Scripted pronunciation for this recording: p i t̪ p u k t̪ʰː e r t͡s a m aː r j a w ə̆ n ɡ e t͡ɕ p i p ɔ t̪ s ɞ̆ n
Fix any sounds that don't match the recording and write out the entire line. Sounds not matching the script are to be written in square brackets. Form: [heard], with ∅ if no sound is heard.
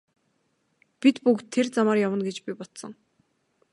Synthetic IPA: p i t̪ p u k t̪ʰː e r t͡s a m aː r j a w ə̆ n ɡ e t͡ɕ p i p ɔ t̪ s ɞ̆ [ŋ]